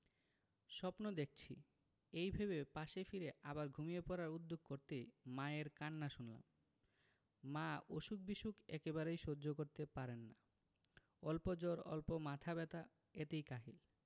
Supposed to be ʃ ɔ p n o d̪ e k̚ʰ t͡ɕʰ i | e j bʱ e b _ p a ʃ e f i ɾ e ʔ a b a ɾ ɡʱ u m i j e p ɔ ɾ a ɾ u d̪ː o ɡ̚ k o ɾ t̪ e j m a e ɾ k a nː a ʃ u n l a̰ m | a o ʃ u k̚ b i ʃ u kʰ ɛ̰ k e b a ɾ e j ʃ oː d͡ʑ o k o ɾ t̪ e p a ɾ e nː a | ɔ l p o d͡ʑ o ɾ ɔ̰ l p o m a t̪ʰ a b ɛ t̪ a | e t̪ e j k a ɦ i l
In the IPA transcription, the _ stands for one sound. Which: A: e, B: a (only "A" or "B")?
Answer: A